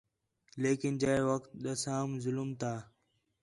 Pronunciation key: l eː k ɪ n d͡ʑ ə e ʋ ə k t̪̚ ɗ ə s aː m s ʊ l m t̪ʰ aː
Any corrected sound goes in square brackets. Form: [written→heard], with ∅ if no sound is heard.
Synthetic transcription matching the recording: l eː k ɪ n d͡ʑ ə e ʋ ə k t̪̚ ɗ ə s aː m [s→z] ʊ l m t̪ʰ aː